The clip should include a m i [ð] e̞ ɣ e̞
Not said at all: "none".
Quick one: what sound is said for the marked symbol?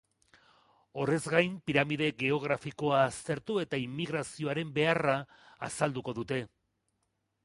ð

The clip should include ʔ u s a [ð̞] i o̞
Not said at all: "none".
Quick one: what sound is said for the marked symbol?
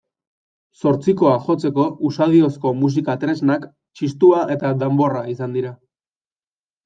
ð̞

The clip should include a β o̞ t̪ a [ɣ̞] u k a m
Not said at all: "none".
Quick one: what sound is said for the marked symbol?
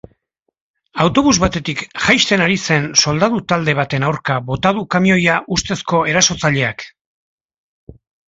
ð̞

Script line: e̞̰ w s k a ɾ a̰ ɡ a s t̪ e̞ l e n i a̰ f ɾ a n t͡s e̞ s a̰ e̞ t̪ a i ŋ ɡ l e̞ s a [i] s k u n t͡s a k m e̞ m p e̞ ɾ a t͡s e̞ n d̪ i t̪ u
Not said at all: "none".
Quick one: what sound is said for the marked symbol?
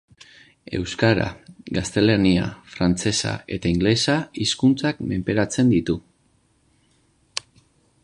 i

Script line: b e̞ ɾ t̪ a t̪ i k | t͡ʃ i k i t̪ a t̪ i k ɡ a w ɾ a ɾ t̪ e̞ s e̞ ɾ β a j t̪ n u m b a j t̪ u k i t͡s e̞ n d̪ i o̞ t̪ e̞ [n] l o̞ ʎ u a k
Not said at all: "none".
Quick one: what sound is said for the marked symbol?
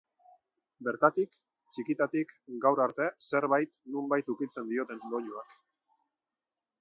n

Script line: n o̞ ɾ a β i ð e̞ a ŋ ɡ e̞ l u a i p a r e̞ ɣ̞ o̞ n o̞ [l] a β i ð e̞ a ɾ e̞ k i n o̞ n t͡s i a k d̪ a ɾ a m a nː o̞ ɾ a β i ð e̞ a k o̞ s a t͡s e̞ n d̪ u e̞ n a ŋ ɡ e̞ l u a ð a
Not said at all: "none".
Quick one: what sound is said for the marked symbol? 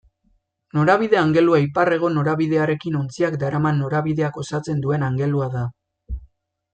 ɾ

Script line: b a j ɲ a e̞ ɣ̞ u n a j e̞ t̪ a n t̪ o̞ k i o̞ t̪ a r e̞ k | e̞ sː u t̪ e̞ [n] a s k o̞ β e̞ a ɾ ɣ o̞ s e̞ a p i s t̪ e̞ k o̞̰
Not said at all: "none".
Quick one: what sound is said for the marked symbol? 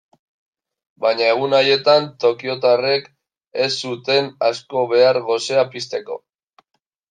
n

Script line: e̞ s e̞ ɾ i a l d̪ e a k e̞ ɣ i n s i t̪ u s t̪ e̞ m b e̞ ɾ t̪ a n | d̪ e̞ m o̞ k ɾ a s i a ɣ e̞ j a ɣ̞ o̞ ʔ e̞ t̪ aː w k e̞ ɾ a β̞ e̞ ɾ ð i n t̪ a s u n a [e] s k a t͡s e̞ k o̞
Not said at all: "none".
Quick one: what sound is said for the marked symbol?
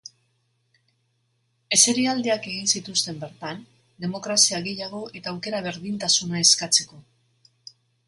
e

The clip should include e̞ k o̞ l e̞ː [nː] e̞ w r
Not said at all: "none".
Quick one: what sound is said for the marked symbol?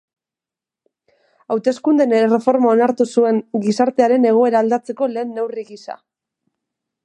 nː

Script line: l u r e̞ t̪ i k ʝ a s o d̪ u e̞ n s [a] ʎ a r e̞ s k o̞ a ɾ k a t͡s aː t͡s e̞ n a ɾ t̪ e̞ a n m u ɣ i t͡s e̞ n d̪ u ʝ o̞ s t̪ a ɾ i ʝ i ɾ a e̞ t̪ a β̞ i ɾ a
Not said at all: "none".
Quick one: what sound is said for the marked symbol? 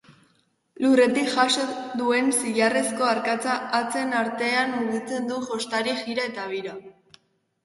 i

